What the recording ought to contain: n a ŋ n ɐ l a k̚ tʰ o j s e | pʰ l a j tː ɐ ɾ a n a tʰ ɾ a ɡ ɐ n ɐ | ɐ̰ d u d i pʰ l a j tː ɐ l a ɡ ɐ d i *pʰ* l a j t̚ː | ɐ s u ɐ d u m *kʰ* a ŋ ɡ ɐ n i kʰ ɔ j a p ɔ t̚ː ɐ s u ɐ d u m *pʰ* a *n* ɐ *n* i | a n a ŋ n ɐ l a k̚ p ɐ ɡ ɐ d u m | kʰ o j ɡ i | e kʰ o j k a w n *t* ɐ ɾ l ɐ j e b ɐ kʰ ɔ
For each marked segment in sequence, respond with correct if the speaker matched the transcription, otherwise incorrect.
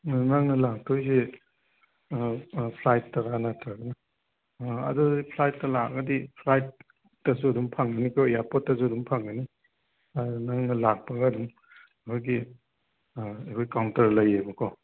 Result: correct, incorrect, correct, incorrect, correct, correct

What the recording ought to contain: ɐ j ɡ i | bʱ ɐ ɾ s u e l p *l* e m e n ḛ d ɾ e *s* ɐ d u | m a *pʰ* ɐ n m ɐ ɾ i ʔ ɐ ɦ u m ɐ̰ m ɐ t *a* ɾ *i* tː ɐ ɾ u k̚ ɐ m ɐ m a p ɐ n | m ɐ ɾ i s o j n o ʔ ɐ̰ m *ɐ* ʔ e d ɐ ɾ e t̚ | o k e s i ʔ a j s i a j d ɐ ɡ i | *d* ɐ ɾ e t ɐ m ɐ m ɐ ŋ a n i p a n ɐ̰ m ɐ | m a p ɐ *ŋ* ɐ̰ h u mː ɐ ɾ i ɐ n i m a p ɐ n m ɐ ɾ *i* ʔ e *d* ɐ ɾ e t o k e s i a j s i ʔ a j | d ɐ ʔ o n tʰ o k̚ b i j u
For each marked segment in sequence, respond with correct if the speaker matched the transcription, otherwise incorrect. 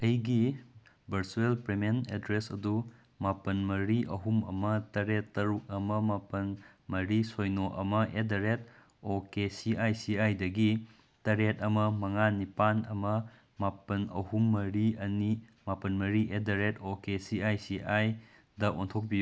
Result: incorrect, correct, incorrect, incorrect, incorrect, correct, incorrect, incorrect, correct, correct

